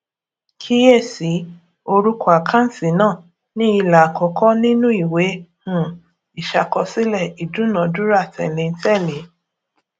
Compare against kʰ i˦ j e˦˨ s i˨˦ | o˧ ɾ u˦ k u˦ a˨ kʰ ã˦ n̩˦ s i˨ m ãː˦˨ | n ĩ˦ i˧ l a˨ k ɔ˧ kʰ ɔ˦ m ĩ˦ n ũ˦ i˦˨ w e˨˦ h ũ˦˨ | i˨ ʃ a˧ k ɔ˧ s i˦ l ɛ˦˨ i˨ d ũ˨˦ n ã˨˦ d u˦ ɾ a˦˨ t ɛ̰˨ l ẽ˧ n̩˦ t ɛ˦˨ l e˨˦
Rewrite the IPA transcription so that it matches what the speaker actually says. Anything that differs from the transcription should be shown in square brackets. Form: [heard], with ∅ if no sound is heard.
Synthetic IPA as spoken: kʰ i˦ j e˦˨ s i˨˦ | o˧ ɾ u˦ k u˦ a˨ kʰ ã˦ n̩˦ s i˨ [n] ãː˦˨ | n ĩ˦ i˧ l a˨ k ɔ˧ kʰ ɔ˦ [n] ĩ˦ n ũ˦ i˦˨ w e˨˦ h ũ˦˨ | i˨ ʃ a˧ k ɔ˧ s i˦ l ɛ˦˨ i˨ d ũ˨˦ n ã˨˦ d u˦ ɾ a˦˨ t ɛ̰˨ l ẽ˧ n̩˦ t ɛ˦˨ l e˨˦